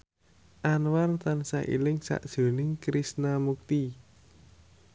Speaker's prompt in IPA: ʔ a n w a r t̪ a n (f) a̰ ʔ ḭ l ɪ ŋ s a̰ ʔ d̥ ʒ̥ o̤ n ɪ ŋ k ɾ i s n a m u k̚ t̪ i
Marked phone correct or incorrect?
incorrect